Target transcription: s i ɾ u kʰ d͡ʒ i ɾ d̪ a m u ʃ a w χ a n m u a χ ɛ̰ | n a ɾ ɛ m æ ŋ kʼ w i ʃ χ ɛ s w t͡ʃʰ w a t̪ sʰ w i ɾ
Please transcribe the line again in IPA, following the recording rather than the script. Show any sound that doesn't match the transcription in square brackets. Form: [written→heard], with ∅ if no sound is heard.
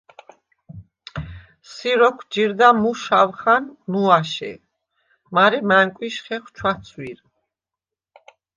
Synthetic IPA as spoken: s i ɾ [u→ɔ] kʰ d͡ʒ i ɾ d̪ a m u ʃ a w χ a n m u a [χ→ʃ] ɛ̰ | [n→m] a ɾ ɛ m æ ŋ kʼ w i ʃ χ ɛ [s→χ] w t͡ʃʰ w a t̪ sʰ w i ɾ